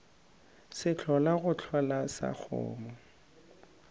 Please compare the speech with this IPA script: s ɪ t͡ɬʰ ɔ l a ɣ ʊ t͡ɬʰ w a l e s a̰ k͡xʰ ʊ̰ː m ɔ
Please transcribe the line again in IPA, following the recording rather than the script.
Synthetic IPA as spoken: s ɪ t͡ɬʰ ɔ l a ɣ ʊ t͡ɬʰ w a l a s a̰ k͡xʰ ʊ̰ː m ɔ